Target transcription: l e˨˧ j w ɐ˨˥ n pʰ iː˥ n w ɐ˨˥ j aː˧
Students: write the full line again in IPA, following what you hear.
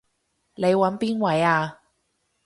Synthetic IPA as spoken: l e˨˧ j w ɐ˨˥ n p iː˥ n w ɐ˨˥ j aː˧